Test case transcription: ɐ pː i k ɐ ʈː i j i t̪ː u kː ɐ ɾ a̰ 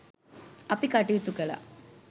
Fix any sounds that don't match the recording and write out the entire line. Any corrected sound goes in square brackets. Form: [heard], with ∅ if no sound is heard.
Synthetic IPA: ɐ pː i k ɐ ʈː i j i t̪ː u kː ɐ [l] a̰